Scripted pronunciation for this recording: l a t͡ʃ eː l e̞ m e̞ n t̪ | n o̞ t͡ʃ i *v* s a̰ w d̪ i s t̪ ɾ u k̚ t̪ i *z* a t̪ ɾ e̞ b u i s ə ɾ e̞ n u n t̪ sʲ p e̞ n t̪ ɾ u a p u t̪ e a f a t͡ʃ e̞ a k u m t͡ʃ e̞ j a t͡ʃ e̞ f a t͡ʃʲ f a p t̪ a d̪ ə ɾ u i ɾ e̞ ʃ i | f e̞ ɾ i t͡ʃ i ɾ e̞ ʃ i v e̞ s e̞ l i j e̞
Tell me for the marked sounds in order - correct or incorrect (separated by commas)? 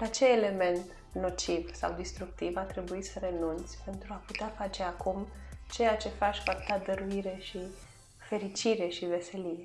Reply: correct, incorrect